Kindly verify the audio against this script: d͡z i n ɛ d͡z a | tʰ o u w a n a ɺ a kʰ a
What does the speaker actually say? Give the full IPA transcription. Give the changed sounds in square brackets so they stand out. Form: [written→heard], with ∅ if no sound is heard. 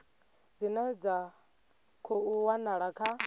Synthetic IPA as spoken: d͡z i n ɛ d͡z a | [tʰ→kʰ] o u w a n a ɺ a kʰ a